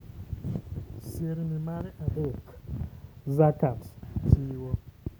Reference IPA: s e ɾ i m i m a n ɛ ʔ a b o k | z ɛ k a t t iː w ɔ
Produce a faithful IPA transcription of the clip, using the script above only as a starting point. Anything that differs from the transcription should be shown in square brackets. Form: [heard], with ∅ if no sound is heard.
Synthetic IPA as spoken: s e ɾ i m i m a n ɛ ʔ a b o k | z [a] k a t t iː w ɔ